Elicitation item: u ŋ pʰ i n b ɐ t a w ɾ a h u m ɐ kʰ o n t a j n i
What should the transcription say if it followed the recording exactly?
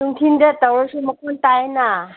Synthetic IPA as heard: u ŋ tʰ i n d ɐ t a w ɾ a s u m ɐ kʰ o n t a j n a

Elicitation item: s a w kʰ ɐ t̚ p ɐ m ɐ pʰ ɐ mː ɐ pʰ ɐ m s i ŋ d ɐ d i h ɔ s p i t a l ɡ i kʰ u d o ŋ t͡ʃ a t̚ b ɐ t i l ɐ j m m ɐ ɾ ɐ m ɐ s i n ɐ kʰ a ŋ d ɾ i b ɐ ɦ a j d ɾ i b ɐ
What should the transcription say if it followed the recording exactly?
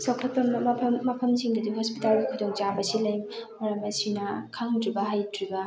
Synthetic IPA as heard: s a w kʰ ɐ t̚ p ɐ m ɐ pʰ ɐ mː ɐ pʰ ɐ m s i ŋ d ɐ d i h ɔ s p i t a l ɡ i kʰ u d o ŋ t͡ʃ a b ɐ s i l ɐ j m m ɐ ɾ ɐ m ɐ s i n ɐ kʰ a ŋ d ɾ i b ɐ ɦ a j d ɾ i b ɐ

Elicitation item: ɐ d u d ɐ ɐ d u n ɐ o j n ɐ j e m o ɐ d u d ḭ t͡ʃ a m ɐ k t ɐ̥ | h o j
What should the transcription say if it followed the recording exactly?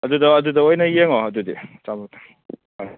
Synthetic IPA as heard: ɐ d u d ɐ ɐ d u d ɐ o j n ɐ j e ŋ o ɐ d u d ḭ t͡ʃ a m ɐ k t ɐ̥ | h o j

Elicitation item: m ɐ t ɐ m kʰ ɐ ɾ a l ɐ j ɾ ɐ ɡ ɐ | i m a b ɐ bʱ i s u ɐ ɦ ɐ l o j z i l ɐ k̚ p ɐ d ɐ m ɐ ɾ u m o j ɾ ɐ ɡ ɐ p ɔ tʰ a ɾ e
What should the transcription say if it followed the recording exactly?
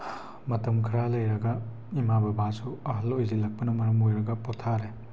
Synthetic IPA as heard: m ɐ t ɐ m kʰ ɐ ɾ a l ɐ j ɾ ɐ ɡ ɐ | i m a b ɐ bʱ a s u ɐ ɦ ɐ l o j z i l ɐ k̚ p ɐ n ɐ m ɐ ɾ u m o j ɾ ɐ ɡ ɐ p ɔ tʰ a ɾ e

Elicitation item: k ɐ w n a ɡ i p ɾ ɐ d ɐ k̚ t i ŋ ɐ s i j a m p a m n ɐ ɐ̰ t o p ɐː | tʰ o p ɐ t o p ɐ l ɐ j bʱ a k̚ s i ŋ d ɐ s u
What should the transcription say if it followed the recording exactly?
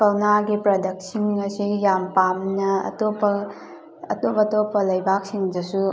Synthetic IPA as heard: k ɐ w n a ɡ i p ɾ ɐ d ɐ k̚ s i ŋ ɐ s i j a m p a m n ɐ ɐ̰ t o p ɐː | t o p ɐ t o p ɐ l ɐ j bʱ a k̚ s i ŋ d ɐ s u

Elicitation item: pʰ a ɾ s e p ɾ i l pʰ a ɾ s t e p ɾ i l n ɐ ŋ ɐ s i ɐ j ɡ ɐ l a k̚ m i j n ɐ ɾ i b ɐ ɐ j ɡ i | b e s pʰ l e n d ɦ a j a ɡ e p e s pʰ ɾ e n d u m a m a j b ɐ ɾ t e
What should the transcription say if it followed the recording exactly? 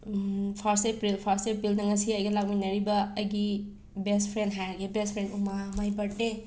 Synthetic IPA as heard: pʰ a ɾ s e p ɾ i l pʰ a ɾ s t e p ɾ i l n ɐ ŋ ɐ s i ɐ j ɡ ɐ l a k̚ m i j n ɐ ɾ i b ɐ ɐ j ɡ i | b e s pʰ ɾ e n d ɦ a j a ɡ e b e s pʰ ɾ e n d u m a m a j b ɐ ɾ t e

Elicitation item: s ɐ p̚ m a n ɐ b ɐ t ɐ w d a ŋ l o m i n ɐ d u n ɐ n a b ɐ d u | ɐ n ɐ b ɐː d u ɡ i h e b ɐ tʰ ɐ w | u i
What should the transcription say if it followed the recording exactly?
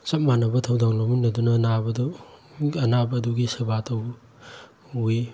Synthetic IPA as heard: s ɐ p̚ m a n ɐ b ɐ tʰ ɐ w d a ŋ l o m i n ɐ d u n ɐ n a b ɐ d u | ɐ n a b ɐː d u ɡ i s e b a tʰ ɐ w | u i

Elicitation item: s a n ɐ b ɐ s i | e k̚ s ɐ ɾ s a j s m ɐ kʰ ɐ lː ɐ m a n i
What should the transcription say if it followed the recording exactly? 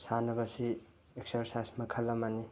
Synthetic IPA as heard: s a n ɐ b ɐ s i | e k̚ s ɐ ɾ s a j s m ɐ kʰ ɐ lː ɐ m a n i

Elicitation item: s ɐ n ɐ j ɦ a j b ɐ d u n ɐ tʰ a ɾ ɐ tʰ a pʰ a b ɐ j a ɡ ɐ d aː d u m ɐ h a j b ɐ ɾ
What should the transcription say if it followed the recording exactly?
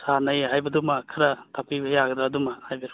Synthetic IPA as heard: s a n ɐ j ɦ a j b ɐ d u m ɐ kʰ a ɾ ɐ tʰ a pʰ i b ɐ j a ɡ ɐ d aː d u m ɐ h a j b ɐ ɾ

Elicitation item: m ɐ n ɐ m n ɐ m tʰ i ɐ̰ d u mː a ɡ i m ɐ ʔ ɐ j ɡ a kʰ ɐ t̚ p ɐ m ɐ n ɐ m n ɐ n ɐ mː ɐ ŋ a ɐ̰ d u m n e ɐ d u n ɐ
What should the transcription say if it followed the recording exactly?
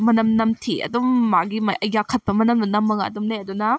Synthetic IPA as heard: m ɐ n ɐ m n ɐ m tʰ i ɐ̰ d u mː a ɡ i m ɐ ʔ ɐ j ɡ a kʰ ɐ t̚ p ɐ m ɐ n ɐ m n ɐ n ɐ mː ɐ ŋ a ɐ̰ d u m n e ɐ d u n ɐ

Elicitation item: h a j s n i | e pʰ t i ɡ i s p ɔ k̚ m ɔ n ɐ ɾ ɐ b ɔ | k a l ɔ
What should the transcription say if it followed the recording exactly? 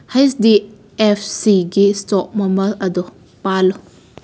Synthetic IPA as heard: h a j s d i | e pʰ s i ɡ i s t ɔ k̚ m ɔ m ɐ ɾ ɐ d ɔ | p a l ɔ

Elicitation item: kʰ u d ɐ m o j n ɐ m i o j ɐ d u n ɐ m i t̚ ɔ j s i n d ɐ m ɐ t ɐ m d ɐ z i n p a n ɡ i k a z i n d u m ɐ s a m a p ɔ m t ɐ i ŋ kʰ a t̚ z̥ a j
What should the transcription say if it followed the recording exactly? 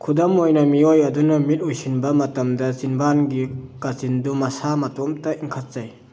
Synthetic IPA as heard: kʰ u d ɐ m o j n ɐ m i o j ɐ d u n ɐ m i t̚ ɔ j s i n b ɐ m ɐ t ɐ m d ɐ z i n b a n ɡ i k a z i n d u m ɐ s a m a t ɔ m t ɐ i ŋ kʰ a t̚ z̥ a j

